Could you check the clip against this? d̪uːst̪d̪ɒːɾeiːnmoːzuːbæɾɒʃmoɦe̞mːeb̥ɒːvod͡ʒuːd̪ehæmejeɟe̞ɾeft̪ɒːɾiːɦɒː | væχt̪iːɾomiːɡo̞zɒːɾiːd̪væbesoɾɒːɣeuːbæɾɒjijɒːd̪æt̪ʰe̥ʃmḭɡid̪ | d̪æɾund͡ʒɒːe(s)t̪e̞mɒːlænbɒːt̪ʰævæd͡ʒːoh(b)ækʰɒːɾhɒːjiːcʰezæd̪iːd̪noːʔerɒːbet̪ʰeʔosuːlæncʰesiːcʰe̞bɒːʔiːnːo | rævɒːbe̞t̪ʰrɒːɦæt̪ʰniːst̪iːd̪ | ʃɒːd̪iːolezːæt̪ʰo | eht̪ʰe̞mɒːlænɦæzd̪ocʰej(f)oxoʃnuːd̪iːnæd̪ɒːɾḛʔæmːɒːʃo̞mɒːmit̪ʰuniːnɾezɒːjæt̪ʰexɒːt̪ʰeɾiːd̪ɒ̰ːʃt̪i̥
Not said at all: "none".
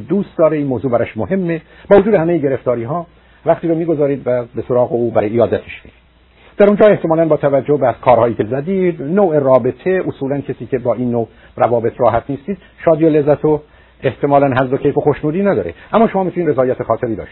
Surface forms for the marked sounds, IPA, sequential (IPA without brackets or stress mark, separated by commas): h, b, f